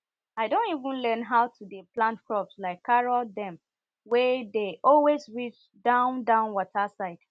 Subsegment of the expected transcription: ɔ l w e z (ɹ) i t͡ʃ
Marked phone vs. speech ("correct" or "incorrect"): correct